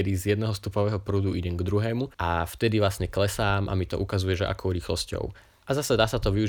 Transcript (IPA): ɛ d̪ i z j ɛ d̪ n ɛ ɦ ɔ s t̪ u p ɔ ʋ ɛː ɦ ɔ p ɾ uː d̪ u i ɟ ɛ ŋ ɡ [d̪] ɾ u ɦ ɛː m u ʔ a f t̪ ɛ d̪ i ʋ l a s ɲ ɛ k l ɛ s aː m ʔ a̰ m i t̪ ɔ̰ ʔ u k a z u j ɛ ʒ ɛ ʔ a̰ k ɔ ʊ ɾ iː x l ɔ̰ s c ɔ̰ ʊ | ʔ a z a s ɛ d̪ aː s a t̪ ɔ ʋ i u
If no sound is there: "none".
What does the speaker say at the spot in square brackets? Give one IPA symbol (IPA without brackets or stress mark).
d̪